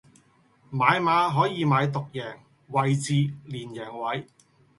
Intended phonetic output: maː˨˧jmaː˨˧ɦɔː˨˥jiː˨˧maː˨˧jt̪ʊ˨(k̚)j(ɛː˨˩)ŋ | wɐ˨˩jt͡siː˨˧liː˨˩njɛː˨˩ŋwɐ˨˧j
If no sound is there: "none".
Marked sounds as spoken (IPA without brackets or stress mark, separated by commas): k̚, ɛː˨˩